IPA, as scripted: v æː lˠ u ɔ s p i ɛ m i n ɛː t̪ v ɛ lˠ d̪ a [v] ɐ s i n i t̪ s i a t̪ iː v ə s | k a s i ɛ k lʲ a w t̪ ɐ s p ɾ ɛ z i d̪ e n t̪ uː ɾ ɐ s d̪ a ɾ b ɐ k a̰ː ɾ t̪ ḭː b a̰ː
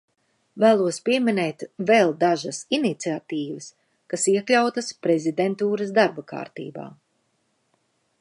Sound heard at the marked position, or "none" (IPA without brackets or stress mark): ʒ